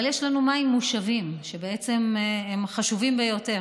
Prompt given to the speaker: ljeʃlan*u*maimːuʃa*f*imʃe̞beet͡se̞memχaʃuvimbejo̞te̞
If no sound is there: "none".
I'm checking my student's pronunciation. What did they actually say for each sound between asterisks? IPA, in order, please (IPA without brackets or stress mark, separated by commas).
u, v